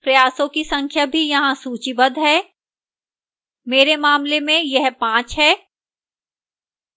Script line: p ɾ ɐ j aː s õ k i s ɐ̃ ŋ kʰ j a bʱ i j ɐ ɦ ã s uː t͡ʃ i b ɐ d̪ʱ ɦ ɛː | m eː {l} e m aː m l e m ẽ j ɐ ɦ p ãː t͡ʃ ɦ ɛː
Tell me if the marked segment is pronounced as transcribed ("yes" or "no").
no